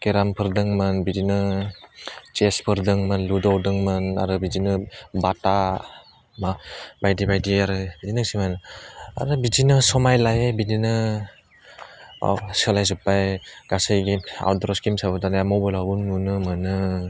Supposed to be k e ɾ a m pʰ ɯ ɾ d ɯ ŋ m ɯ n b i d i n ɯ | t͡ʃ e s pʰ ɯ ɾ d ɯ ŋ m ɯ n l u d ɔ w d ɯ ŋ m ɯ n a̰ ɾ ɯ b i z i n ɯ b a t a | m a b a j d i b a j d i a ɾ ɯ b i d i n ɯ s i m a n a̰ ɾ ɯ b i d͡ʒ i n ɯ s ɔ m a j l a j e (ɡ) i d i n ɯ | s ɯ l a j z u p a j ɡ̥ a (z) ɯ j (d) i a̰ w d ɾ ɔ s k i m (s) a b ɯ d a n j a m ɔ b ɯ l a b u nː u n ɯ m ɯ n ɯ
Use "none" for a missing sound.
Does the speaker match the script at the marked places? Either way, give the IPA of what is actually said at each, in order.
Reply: b, s, ɡ, s

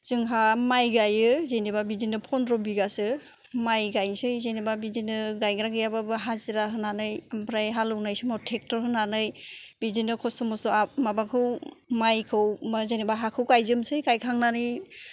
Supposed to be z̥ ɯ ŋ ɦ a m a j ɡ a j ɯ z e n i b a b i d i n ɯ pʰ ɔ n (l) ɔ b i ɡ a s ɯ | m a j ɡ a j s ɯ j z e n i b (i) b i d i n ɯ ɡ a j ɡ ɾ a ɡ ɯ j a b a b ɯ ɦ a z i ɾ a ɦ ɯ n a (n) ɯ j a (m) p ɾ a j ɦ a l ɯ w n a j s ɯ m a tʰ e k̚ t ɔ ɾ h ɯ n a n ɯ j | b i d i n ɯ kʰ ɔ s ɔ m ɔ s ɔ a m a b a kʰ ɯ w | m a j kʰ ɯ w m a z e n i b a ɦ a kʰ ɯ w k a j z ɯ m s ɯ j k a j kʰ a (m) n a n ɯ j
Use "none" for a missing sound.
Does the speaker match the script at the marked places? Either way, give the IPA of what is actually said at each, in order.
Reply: ɾ, a, n, m, ŋ

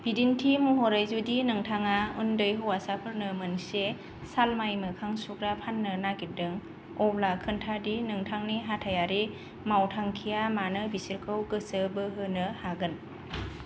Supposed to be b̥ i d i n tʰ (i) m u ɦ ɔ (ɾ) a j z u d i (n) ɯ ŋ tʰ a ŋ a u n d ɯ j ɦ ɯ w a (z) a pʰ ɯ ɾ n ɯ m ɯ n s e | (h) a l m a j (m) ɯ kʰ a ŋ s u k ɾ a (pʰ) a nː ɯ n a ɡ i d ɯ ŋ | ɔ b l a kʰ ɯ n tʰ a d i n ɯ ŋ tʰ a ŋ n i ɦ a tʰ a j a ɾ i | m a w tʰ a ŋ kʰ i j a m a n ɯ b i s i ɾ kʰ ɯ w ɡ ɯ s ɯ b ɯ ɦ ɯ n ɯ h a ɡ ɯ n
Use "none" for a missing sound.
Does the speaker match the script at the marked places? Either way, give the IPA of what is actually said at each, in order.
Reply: i, ɾ, n, s, s, m, pʰ

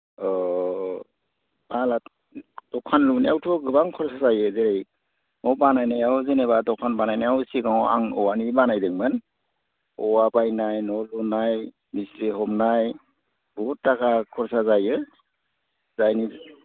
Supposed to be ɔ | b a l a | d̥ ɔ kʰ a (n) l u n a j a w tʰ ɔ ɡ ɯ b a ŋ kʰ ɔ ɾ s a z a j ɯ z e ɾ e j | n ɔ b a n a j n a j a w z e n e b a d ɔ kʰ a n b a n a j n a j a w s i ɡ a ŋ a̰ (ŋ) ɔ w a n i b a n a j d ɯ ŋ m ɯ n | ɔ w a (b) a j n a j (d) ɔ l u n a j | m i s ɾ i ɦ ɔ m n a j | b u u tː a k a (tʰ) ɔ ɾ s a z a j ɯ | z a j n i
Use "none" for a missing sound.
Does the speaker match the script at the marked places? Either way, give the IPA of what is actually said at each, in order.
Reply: n, ŋ, b, n, kʰ

